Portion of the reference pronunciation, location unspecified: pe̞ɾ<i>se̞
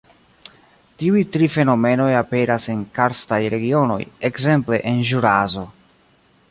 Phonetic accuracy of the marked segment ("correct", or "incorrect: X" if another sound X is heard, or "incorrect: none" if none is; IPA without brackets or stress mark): incorrect: a